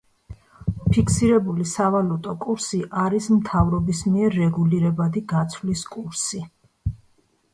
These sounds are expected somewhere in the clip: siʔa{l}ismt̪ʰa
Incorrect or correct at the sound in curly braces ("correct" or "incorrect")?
incorrect